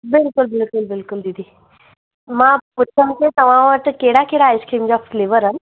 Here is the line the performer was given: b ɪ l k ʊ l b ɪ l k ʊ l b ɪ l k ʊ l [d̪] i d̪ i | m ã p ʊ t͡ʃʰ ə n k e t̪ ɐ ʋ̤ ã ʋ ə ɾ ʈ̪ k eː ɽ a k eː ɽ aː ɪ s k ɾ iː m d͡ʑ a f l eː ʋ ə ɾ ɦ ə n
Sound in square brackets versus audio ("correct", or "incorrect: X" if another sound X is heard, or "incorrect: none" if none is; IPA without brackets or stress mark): correct